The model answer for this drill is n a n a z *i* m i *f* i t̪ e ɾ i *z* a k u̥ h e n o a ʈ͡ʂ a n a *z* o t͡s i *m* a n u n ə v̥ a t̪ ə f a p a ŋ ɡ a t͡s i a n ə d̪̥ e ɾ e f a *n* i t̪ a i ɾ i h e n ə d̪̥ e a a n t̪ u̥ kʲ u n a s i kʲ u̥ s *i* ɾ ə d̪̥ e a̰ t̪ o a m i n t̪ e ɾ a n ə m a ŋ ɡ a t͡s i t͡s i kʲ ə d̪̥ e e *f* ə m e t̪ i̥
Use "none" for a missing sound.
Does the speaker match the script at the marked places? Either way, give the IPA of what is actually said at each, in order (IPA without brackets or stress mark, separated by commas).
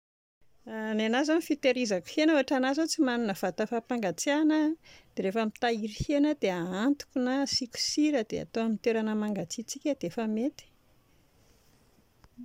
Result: a, f, z, z, m, m, i, f